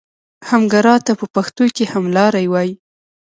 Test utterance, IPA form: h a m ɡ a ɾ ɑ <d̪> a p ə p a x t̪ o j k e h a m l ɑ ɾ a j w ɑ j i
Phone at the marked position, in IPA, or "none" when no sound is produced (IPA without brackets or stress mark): t̪